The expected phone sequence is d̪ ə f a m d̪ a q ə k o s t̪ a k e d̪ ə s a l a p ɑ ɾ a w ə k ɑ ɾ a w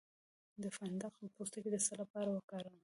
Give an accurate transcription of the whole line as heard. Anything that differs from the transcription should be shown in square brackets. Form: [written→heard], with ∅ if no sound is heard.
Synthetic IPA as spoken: d̪ ə f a [m→n] d̪ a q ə [k→p] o s t̪ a k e d̪ ə s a l a p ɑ ɾ a w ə k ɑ ɾ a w